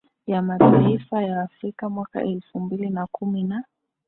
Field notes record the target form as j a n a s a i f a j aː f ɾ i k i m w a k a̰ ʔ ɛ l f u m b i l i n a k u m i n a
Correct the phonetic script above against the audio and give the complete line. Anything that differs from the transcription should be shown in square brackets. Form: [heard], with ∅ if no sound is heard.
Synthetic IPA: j a [m] a [t] a i f a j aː f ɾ i k [a] m w a k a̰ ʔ ɛ l f u m b i l i n a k u m i n a